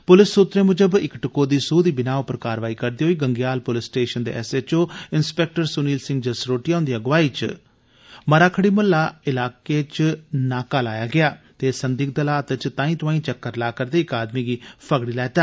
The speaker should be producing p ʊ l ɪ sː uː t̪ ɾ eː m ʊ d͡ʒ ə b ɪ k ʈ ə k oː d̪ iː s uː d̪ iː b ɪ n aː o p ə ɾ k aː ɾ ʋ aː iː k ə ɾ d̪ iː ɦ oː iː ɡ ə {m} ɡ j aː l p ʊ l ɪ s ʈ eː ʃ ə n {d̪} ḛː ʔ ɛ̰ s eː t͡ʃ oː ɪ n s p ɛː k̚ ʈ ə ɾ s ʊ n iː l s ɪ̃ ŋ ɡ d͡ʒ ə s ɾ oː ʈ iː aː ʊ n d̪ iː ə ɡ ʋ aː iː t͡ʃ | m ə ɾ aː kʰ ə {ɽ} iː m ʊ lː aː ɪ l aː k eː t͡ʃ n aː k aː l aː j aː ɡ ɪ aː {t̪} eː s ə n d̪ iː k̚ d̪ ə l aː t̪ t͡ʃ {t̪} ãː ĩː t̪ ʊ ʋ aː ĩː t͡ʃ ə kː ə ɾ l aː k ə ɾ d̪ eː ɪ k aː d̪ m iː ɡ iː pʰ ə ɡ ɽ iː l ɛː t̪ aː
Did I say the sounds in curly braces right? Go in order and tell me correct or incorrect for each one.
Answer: incorrect: ŋ, correct, correct, correct, correct

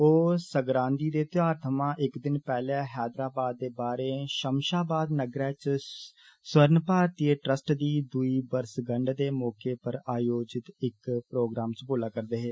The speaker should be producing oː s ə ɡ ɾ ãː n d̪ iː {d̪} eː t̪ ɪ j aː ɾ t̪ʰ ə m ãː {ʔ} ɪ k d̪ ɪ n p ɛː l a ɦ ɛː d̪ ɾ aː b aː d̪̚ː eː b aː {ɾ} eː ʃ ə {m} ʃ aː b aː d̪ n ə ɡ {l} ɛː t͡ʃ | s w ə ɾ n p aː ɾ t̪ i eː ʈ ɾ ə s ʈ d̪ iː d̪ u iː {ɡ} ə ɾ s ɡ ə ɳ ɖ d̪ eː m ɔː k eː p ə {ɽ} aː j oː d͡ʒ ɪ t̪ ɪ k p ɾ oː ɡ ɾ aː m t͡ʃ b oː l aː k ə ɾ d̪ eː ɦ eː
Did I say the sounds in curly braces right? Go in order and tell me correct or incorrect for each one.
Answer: correct, correct, correct, correct, incorrect: ɾ, incorrect: b, incorrect: ɾ

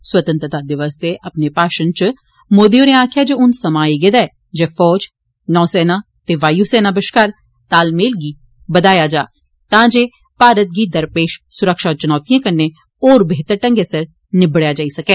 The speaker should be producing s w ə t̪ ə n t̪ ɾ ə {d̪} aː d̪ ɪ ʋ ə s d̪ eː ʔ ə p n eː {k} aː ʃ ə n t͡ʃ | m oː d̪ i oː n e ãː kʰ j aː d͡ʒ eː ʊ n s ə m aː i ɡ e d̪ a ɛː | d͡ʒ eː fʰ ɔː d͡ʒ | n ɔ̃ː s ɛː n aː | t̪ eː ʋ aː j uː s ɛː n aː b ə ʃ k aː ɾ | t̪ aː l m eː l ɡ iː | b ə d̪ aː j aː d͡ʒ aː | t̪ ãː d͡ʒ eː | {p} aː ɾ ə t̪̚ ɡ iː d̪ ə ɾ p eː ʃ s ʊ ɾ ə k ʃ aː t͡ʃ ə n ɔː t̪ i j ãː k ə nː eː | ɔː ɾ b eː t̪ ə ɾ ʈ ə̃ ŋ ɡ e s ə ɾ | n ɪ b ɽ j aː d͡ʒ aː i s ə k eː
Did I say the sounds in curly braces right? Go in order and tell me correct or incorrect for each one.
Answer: incorrect: t̪, incorrect: p, correct

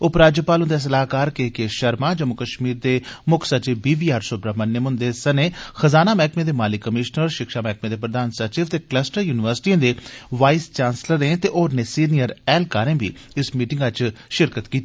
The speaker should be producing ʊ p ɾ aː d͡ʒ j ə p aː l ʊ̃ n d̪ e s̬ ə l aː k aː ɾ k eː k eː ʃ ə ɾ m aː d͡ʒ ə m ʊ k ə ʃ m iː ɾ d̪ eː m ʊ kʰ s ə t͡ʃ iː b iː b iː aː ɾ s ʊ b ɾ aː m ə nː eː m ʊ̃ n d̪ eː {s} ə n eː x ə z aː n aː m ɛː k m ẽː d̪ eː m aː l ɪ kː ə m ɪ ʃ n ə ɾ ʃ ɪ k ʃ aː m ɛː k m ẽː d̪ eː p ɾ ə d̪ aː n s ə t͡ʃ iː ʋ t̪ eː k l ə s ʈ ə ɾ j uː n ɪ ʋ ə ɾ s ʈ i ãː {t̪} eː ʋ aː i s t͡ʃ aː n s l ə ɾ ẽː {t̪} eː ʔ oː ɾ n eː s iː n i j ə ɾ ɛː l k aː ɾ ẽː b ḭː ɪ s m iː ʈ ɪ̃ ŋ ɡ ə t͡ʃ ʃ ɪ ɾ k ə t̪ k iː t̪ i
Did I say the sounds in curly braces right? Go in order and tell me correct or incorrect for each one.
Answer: correct, incorrect: d̪, correct

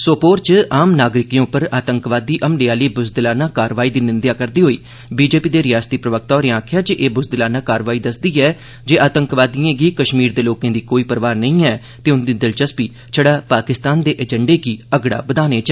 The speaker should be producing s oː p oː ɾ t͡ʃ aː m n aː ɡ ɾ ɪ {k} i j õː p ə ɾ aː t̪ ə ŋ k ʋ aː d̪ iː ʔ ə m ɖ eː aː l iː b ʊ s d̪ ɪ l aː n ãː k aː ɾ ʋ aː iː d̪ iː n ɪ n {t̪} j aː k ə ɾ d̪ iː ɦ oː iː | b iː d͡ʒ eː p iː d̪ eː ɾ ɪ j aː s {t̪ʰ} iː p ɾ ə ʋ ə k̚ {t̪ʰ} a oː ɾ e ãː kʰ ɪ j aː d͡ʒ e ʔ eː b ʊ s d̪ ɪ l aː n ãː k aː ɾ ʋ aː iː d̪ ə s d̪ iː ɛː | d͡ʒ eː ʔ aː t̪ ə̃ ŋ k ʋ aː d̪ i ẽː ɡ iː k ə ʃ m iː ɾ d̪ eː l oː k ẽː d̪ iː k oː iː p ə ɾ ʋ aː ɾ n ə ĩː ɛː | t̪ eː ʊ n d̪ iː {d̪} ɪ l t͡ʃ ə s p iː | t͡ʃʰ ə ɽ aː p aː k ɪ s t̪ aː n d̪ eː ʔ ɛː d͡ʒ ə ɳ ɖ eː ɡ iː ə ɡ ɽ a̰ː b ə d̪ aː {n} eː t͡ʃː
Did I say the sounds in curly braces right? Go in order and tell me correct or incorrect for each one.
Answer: correct, incorrect: d̪, incorrect: t̪, incorrect: t̪, correct, correct

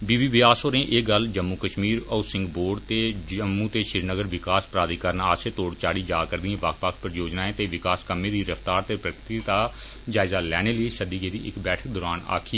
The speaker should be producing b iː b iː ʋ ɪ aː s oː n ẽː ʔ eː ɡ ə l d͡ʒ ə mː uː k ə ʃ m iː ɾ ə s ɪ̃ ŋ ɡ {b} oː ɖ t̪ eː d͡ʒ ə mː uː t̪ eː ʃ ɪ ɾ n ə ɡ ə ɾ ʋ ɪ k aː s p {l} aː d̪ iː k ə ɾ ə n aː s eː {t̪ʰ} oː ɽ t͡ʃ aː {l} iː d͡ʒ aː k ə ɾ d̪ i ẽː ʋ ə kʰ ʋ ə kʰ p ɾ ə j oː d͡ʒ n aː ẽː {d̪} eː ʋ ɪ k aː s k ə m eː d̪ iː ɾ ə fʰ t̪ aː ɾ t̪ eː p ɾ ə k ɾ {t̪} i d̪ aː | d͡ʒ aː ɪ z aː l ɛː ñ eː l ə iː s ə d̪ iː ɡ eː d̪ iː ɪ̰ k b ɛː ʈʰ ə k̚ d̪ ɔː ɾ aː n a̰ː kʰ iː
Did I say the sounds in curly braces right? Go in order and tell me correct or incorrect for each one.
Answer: correct, incorrect: ɾ, incorrect: t̪, incorrect: ɽ, incorrect: t̪, correct

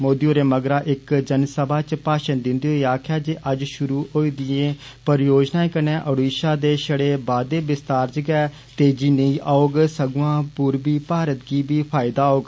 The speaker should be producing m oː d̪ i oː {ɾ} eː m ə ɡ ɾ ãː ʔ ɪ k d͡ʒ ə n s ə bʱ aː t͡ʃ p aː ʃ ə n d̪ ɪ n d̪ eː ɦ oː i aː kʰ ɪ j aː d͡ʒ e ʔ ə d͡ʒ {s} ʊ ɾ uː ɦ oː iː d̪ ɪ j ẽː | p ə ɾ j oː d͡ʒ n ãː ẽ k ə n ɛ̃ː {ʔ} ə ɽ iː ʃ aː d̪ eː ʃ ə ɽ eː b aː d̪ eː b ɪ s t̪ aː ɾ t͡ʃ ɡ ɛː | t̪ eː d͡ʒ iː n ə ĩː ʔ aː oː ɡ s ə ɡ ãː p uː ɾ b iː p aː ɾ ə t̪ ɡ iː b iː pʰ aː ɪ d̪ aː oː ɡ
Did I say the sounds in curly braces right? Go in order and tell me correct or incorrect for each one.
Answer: correct, incorrect: ʃ, correct

